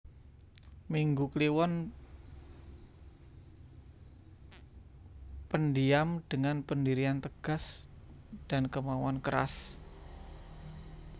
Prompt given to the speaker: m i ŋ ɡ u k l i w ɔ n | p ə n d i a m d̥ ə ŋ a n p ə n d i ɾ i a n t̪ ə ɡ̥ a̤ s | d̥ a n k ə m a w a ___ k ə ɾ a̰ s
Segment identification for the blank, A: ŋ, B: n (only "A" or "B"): B